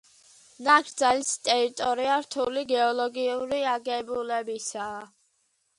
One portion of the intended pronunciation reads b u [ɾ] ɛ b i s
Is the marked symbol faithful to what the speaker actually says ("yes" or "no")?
no